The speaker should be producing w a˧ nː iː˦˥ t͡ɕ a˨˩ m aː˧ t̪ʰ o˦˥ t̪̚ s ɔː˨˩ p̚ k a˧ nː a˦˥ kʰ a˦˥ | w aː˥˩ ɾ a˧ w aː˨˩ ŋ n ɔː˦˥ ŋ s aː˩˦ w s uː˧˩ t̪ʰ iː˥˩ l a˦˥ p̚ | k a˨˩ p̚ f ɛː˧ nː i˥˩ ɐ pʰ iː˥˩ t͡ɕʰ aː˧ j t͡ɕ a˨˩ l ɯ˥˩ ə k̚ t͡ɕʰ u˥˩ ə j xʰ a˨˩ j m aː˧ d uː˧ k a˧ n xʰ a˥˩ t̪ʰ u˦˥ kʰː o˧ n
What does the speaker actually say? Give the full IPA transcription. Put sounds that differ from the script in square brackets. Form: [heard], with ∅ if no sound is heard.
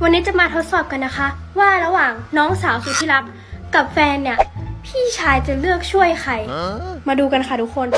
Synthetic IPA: w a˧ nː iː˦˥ t͡ɕ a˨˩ m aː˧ t̪ʰ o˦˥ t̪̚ s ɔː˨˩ p̚ k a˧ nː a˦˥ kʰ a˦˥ | w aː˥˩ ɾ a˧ w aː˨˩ ŋ n ɔː˦˥ ŋ s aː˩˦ w s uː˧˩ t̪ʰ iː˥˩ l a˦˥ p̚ | k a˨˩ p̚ f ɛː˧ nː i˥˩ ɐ pʰ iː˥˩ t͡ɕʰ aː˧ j t͡ɕ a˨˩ l ɯ˥˩ ə k̚ t͡ɕʰ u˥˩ ə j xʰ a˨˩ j m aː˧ d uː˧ k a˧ n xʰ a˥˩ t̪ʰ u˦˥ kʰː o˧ n

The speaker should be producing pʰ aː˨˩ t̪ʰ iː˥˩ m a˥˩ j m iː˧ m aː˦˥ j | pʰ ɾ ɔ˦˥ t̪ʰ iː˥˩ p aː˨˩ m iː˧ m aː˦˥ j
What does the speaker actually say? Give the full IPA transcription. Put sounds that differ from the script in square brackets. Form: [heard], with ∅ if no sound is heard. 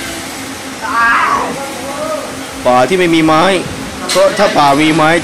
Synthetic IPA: [p] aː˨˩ t̪ʰ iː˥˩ m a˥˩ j m iː˧ m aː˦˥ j | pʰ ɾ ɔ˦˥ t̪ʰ [aː˥˩] p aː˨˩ m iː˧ m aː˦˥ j

